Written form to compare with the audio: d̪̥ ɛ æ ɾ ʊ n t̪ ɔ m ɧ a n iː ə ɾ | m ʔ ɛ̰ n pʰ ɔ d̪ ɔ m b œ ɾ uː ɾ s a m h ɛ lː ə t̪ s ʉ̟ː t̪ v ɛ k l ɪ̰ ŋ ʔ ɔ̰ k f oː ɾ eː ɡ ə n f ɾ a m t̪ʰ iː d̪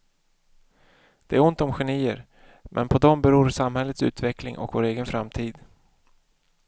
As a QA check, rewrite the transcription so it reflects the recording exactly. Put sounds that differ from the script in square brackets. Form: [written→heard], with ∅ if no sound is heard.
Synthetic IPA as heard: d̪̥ ɛ æ ɾ ʊ n t̪ ɔ m ɧ [a→ɛ] n iː ə ɾ | m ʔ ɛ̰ n pʰ ɔ d̪ ɔ m b [œ→ɛ] ɾ uː ɾ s a m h ɛ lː ə t̪ s ʉ̟ː t̪ v ɛ k l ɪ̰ ŋ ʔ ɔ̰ k [f→v] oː ɾ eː ɡ ə n f ɾ a m t̪ʰ iː d̪